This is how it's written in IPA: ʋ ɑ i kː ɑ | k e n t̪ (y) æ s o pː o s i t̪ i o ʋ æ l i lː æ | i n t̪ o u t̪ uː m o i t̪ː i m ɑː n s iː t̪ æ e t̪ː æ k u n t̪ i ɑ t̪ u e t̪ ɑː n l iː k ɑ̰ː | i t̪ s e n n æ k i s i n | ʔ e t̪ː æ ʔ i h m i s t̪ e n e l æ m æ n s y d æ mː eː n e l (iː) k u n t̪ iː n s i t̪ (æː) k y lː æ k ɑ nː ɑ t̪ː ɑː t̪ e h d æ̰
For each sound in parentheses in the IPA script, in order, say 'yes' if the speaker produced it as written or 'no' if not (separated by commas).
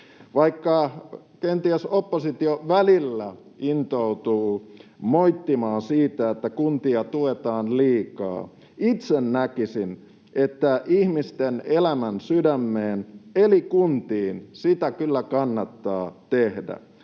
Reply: no, no, no